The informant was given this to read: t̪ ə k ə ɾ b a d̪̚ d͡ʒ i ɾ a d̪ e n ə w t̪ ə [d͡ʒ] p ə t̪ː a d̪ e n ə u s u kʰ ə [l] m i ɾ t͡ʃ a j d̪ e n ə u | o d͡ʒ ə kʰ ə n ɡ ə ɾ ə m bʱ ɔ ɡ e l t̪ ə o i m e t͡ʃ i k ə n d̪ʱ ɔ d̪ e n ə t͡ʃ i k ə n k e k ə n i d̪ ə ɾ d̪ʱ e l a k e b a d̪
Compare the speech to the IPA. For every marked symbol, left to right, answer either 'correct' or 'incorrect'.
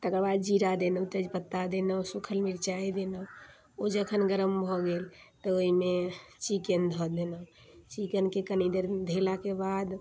correct, correct

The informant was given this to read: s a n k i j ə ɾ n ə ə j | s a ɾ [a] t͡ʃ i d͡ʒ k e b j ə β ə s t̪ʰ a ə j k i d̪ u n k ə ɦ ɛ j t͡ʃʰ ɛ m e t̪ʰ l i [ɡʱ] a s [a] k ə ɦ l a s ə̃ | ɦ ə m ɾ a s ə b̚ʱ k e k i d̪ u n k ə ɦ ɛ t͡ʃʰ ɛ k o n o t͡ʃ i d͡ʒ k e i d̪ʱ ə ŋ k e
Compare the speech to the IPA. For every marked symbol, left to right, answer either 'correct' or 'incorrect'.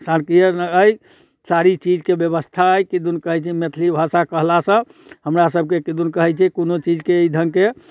incorrect: i, incorrect: bʱ, correct

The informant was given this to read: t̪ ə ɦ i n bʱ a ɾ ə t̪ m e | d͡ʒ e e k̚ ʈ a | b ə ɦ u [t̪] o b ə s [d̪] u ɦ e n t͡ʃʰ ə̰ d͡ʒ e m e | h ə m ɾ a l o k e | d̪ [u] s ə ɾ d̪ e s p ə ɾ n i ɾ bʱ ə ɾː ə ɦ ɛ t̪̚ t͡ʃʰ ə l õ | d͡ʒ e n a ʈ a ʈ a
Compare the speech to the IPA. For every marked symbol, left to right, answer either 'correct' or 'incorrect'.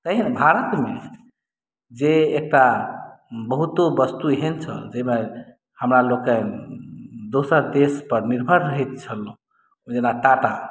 correct, incorrect: t̪, incorrect: o

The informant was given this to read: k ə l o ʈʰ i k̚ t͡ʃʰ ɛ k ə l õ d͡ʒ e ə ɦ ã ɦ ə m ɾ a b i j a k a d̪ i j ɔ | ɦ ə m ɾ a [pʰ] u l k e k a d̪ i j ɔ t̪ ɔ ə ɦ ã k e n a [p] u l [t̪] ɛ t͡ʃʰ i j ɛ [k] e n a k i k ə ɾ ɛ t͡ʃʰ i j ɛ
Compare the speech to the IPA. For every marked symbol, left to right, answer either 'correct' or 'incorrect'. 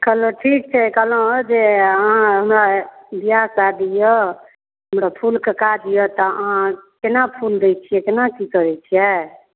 correct, incorrect: pʰ, incorrect: d̪, correct

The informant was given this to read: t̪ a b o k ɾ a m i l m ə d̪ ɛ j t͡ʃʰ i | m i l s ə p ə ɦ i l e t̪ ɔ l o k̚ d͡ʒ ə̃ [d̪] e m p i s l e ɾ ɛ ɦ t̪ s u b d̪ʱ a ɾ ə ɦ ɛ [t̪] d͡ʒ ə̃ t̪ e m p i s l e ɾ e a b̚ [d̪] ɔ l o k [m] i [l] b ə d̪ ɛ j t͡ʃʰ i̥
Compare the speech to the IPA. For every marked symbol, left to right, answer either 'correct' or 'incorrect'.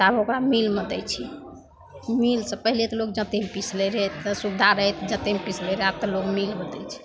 incorrect: t̪, correct, incorrect: t̪, correct, correct

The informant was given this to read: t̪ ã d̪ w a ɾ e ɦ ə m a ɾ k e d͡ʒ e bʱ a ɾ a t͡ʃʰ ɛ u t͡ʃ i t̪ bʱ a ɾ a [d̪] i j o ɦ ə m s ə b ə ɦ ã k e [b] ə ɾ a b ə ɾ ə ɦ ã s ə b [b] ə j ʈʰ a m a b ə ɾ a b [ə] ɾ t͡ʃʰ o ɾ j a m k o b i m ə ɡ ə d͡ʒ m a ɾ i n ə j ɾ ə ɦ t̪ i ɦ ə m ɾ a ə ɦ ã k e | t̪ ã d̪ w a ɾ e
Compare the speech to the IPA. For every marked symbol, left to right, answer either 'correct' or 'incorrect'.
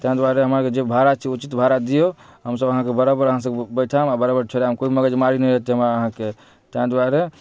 correct, correct, correct, correct

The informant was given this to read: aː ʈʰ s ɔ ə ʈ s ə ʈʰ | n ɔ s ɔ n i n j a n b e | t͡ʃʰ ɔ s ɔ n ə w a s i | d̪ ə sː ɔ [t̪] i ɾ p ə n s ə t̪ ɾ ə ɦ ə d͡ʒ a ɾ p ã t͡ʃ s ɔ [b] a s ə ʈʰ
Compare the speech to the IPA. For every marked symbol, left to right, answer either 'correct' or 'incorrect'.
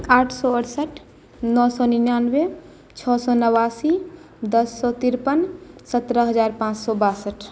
correct, correct

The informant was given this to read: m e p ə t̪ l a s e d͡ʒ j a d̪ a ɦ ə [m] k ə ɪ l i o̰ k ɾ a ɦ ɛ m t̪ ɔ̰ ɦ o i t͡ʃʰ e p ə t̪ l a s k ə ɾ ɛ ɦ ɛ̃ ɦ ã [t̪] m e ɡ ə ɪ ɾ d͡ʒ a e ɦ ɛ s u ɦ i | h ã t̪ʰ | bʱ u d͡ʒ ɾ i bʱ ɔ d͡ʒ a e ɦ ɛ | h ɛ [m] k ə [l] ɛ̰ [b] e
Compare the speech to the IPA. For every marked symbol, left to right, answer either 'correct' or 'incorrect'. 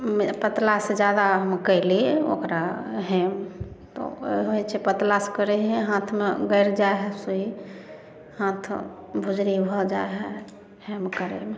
correct, incorrect: t̪ʰ, correct, incorrect: ɾ, incorrect: m

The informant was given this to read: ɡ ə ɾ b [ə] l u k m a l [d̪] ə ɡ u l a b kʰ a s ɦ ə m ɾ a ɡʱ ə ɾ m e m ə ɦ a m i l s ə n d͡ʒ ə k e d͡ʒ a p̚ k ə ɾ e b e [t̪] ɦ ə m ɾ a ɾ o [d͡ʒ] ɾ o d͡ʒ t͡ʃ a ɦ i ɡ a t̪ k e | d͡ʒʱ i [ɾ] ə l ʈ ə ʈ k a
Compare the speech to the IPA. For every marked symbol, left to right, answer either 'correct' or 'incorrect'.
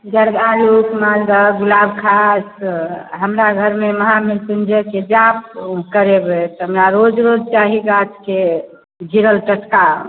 incorrect: a, correct, correct, correct, correct

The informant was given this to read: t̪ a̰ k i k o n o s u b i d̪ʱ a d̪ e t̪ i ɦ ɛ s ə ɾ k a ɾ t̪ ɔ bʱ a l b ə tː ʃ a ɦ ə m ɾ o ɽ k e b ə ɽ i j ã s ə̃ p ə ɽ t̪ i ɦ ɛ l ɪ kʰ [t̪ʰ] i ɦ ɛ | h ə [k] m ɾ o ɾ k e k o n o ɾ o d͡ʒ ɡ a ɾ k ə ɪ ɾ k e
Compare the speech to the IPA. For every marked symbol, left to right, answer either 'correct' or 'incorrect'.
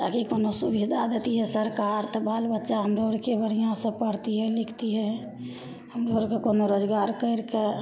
incorrect: t̪, incorrect: none

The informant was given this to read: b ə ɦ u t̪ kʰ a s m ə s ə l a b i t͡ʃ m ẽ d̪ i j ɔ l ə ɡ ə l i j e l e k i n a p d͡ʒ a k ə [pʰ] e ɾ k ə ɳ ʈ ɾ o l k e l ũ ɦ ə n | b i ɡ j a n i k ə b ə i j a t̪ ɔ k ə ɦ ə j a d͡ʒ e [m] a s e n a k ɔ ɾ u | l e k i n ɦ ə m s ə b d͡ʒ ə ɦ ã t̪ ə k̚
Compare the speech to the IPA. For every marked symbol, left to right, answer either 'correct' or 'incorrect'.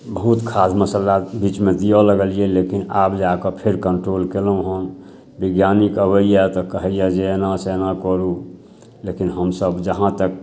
correct, incorrect: n

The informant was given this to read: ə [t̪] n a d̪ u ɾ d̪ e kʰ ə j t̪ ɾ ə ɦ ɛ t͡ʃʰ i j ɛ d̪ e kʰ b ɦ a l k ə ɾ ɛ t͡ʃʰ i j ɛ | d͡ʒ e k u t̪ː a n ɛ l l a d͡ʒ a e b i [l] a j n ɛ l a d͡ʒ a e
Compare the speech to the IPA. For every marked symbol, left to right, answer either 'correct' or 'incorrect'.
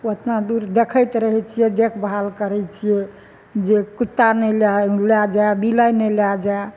correct, correct

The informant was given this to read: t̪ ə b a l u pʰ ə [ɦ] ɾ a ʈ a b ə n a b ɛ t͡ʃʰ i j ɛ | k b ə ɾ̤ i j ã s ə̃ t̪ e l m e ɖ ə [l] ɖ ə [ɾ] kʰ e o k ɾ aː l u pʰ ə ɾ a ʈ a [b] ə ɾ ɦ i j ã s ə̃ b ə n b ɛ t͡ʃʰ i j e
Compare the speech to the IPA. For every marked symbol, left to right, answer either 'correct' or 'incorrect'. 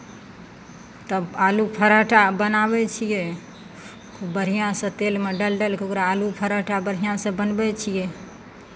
incorrect: none, correct, incorrect: l, correct

